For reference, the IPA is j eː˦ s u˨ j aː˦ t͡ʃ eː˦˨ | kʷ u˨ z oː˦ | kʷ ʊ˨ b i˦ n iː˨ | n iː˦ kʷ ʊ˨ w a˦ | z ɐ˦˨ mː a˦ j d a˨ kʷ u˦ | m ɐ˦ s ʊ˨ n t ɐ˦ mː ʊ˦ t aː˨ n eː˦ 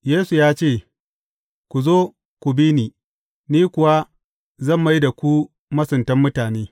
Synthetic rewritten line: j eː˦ s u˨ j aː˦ t͡ʃ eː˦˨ | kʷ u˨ z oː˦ | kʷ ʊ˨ b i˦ n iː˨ | n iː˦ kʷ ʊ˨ w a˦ | z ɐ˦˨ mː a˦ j d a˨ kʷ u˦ | m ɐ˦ s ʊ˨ n t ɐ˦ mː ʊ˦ t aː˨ n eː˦